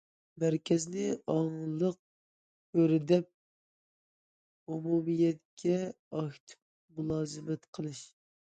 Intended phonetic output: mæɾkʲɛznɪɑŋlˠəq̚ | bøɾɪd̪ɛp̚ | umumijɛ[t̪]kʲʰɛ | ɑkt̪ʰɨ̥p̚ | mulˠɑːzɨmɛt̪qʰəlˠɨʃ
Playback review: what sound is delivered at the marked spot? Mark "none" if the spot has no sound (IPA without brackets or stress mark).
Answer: t̪